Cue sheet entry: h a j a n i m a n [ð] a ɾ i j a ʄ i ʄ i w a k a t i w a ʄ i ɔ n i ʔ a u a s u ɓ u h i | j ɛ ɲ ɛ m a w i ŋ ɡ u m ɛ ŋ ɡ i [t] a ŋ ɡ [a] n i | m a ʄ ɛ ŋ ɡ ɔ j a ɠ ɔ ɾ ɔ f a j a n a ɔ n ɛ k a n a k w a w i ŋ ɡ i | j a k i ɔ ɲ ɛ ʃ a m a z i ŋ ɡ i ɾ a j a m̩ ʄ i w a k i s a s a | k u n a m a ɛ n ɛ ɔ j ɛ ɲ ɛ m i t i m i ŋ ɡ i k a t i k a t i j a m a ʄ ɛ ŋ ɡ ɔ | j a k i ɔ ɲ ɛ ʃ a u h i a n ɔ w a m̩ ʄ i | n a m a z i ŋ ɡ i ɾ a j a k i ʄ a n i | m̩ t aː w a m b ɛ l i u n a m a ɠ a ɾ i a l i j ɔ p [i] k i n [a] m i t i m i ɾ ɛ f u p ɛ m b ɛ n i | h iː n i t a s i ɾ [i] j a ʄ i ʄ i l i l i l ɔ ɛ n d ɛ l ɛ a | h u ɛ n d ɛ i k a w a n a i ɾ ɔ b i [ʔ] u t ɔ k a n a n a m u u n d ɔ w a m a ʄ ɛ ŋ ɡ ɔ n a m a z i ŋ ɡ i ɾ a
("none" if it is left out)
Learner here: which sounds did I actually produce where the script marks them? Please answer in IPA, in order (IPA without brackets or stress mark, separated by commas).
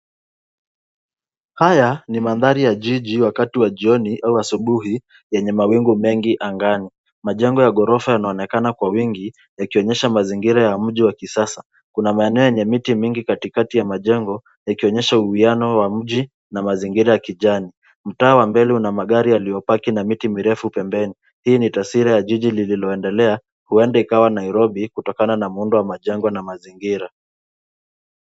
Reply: ð, ʔ, a, a, a, a, k